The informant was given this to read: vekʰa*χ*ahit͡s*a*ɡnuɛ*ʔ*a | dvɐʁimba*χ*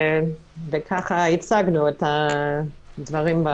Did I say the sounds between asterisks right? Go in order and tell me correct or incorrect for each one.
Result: correct, correct, incorrect: t, incorrect: none

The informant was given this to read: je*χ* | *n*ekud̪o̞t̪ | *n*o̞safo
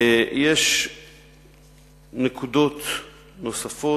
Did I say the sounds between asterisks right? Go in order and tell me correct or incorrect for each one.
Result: incorrect: ʃ, correct, correct

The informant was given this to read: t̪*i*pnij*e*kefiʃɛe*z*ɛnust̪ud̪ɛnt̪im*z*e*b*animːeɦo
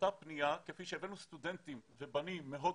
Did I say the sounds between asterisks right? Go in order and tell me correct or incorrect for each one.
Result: incorrect: a, incorrect: a, incorrect: v, incorrect: v, correct

